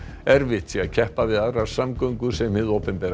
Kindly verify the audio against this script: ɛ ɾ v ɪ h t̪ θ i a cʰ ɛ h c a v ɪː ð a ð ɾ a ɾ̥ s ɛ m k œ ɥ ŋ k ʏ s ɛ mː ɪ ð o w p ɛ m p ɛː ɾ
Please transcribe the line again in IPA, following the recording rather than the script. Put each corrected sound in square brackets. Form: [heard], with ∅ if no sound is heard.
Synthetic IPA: ɛ ɾ v ɪ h t̪ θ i a cʰ ɛ h [p] a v [ɪ] ð a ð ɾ a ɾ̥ s [a] m k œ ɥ ŋ k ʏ s ɛ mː ɪ ð o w p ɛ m p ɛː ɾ